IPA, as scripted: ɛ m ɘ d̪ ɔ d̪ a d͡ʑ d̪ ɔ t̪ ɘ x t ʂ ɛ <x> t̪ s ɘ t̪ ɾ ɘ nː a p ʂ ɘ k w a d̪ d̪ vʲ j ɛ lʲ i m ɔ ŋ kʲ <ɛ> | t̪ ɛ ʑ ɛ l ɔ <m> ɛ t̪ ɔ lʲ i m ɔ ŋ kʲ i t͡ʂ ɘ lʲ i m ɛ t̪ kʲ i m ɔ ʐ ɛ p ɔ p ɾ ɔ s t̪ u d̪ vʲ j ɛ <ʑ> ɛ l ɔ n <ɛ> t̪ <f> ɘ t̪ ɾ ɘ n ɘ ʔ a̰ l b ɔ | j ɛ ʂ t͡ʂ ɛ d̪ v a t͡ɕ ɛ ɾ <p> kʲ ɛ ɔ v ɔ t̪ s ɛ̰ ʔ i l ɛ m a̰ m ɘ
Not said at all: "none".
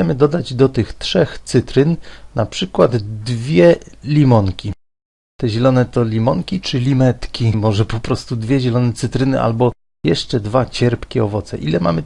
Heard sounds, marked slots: x, i, n, ʑ, ɛ, s, p

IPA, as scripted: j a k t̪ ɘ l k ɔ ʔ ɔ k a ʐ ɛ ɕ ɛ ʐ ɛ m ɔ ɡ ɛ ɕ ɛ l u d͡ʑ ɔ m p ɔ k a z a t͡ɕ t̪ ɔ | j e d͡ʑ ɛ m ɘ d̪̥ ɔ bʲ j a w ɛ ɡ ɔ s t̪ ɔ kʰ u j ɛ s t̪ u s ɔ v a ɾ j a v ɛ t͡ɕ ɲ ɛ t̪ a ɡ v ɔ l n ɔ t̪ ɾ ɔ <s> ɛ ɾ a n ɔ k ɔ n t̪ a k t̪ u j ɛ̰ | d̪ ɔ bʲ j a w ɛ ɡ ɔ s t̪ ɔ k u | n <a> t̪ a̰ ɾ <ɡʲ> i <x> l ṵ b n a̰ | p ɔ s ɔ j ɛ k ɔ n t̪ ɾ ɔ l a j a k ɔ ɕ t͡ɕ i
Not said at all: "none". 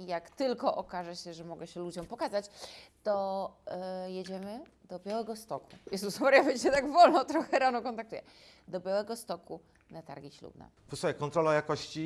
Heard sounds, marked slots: x, a, ɡʲ, ɕ

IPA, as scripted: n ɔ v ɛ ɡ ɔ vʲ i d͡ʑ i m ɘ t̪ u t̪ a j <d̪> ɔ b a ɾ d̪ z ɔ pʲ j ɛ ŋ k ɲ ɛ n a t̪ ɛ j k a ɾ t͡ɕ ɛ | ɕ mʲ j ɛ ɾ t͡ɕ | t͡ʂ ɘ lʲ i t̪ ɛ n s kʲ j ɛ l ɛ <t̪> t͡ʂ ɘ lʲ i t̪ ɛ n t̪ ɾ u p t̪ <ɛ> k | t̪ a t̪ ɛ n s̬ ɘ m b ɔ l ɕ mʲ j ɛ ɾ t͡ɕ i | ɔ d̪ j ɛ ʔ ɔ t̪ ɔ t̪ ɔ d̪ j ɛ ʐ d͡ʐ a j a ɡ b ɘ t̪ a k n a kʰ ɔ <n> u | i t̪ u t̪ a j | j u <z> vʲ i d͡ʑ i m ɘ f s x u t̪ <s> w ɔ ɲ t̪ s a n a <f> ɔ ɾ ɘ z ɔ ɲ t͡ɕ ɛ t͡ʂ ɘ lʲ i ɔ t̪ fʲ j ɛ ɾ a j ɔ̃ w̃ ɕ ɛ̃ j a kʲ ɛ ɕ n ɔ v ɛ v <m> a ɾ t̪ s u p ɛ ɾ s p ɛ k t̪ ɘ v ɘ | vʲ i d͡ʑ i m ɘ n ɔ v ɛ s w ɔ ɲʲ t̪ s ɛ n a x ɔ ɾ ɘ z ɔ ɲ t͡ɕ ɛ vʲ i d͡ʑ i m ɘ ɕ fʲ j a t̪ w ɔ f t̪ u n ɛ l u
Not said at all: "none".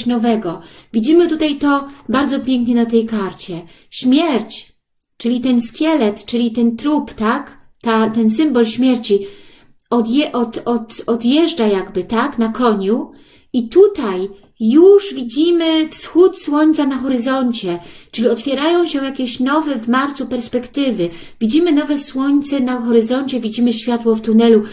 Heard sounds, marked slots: t̪, t̪, a, ɲ, ʐ, s, x, m

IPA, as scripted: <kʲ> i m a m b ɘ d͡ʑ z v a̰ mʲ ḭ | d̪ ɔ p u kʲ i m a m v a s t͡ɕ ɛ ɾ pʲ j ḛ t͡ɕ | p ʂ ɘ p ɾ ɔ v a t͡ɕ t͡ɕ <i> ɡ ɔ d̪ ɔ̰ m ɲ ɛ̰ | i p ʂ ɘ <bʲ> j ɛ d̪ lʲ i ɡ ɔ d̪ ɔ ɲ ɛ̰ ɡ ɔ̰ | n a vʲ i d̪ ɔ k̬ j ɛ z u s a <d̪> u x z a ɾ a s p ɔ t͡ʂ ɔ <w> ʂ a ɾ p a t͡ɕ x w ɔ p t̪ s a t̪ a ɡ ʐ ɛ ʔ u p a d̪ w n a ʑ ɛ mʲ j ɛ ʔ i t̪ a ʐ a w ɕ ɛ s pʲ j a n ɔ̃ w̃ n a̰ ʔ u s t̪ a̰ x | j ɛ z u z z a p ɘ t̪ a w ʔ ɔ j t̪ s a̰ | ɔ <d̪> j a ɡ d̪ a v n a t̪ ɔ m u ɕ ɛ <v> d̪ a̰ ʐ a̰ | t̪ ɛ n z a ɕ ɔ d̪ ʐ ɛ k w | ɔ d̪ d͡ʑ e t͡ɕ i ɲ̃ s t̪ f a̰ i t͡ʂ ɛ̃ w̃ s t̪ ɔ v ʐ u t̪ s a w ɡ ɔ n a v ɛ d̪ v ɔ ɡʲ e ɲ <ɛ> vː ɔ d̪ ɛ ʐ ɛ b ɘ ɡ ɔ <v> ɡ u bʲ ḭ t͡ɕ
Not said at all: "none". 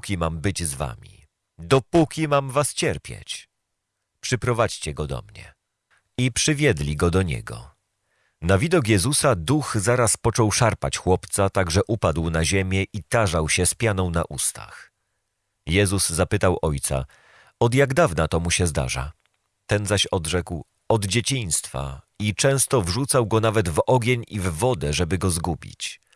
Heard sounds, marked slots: kʲ, ɛ, vʲ, d̪, w, d̪, z, i, z

